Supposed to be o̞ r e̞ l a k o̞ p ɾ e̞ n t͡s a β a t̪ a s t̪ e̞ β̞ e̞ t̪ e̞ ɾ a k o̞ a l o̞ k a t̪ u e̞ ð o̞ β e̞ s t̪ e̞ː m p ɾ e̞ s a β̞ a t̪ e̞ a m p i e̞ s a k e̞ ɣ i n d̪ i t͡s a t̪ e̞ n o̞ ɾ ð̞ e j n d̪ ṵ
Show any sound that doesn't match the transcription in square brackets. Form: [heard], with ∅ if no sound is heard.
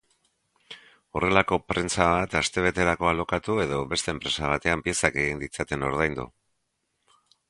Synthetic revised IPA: o̞ r e̞ l a k o̞ p ɾ e̞ n t͡s a β a t̪ a s t̪ e̞ β̞ e̞ t̪ e̞ ɾ a k o̞ a l o̞ k a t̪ u e̞ ð o̞ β e̞ s t̪ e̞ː m p ɾ e̞ s a β̞ a t̪ e̞ a m p i e̞ s a k e̞ ɣ i n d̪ i t͡s a t̪ e̞ n o̞ ɾ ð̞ [a] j n d̪ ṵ